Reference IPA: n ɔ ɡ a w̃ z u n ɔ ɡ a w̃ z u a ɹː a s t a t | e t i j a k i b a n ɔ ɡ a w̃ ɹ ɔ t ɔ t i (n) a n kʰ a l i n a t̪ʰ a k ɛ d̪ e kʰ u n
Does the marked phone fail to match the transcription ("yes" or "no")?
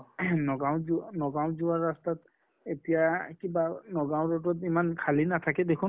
yes